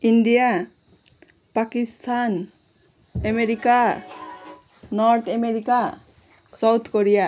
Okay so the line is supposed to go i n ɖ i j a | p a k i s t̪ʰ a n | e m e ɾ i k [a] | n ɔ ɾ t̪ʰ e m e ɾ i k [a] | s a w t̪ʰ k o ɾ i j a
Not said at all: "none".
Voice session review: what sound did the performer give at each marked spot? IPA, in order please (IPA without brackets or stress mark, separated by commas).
a, a